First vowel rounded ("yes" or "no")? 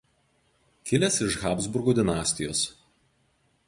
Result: no